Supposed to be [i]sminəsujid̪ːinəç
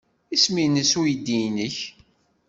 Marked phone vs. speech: correct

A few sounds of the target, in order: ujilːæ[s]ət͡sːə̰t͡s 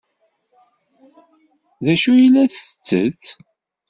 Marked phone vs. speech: incorrect: θ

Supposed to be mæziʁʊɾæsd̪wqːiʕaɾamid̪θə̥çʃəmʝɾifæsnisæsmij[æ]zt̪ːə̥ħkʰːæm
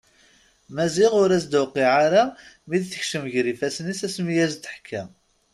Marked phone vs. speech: correct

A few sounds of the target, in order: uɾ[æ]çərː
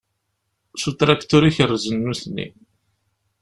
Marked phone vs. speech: incorrect: i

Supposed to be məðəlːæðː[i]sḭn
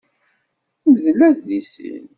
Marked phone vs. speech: correct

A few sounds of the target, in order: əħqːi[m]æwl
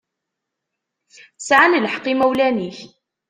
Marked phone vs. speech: correct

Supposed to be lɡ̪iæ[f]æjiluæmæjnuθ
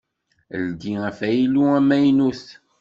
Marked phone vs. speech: correct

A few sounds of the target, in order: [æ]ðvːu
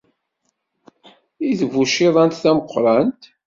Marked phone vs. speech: incorrect: i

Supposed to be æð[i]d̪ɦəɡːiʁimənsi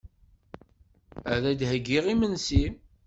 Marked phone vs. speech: incorrect: æ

